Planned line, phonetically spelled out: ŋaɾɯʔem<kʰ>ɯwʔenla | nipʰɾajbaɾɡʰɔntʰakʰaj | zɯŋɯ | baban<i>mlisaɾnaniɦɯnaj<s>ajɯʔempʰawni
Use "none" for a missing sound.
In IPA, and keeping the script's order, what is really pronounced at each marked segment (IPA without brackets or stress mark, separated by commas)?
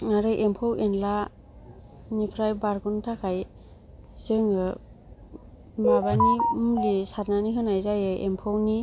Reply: pʰ, i, z